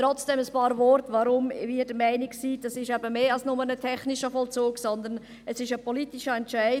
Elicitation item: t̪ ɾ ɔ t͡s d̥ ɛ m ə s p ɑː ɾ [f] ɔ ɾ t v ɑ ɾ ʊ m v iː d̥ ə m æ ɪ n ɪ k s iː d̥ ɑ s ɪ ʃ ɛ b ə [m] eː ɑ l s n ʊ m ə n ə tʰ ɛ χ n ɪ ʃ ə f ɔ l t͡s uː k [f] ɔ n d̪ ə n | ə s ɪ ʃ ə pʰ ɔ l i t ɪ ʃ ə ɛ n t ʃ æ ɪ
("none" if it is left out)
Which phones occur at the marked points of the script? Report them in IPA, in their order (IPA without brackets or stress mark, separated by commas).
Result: v, m, s